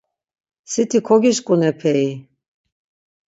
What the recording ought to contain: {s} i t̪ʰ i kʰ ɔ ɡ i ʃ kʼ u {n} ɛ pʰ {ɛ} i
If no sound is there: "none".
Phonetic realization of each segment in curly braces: s, n, ɛ

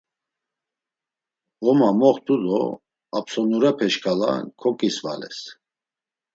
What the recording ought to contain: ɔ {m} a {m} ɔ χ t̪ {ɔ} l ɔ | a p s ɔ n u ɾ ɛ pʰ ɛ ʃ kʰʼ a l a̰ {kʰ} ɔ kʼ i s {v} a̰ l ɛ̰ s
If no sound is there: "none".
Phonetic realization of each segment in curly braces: m, m, u, kʰ, v

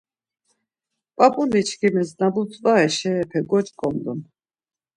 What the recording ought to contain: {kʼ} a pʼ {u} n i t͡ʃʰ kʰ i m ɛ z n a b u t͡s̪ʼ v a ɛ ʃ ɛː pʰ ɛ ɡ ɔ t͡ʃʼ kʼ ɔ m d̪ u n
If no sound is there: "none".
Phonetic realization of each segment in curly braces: pʼ, u

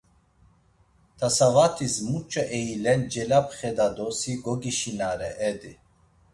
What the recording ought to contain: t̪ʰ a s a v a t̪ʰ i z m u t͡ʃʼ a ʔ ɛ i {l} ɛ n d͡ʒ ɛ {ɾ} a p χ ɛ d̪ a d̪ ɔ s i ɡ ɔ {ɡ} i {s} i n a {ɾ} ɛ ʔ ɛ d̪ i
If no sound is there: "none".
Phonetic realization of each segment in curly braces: l, l, ɡ, ʃ, ɾ

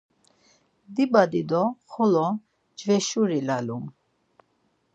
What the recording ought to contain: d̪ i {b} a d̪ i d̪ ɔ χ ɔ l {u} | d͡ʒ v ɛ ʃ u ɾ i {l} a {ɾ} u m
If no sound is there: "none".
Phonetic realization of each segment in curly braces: b, ɔ, l, l

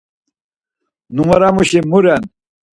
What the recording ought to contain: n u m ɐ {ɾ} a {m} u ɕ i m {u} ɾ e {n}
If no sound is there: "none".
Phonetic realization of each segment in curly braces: ɾ, m, u, n

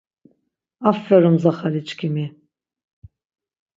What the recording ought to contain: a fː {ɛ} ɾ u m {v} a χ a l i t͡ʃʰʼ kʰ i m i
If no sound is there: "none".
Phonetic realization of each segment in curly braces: ɛ, z

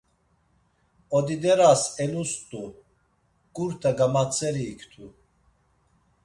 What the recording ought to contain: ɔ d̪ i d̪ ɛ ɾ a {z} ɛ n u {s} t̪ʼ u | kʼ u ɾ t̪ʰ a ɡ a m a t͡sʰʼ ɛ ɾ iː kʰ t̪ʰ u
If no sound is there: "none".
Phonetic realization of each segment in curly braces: s, s

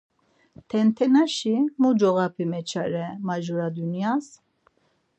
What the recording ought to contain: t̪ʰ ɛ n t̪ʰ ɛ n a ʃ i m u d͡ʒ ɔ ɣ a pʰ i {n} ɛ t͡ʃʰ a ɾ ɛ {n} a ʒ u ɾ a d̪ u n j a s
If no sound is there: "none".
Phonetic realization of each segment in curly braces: m, m

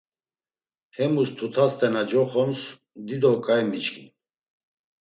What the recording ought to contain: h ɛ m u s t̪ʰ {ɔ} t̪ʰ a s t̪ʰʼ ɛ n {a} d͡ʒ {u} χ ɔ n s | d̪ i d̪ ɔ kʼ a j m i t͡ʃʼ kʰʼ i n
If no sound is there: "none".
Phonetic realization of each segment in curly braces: u, a, ɔ

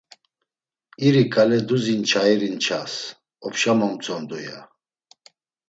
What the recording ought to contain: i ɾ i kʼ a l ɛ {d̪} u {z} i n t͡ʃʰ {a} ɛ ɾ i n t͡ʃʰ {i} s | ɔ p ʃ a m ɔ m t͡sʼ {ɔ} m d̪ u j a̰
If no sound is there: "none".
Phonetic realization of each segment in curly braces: d̪, z, a, a, ɔ

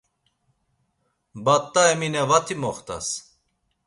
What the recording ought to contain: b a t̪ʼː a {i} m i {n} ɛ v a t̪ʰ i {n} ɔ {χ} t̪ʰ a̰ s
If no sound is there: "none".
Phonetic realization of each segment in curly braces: ɛ, n, m, χ

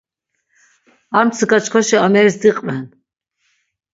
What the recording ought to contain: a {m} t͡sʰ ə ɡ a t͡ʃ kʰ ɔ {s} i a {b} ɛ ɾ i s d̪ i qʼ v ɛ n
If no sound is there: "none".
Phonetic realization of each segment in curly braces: m, ʃ, m

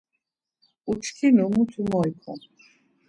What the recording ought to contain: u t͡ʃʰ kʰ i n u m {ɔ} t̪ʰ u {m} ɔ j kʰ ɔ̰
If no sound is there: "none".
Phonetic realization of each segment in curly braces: u, m

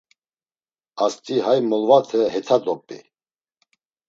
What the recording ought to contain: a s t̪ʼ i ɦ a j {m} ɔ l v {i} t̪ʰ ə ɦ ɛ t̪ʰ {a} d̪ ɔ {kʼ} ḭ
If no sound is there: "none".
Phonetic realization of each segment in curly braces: m, a, a, pʼ

